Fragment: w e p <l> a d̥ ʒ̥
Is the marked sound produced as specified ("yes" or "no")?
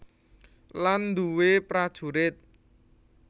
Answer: no